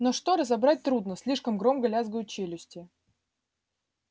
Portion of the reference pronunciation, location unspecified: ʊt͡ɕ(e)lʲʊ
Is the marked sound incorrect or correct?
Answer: correct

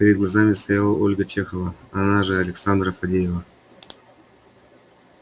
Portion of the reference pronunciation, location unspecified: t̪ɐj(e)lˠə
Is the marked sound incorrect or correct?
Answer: incorrect: a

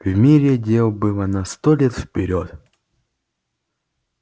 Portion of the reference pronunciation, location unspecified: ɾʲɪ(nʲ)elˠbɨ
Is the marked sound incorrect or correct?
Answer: incorrect: dʲ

